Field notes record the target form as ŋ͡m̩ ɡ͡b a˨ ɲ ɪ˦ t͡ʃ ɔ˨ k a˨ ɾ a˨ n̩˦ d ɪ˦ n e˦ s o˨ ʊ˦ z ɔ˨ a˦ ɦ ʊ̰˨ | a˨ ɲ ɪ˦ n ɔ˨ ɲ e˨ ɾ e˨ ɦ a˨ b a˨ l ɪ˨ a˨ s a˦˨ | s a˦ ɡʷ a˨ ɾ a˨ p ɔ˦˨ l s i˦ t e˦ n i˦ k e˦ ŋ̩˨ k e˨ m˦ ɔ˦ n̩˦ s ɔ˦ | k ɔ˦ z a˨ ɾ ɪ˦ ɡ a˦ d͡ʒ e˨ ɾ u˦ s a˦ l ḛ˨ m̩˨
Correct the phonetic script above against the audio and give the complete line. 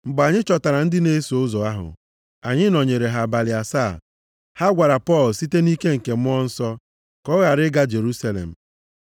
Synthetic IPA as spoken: ŋ͡m̩ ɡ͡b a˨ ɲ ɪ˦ t͡ʃ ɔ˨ t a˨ ɾ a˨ n̩˦ d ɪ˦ n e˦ s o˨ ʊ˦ z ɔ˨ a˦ ɦ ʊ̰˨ | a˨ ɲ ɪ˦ n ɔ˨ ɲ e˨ ɾ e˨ ɦ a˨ b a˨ l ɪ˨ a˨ s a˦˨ | h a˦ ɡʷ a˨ ɾ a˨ p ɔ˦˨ l s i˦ t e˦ n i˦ k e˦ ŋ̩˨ k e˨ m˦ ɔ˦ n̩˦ s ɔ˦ | k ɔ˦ ɣ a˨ ɾ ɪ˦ ɡ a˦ d͡ʒ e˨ ɾ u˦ s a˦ l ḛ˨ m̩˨